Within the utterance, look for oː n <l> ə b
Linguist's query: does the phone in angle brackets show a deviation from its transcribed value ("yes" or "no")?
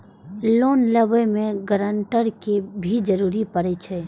no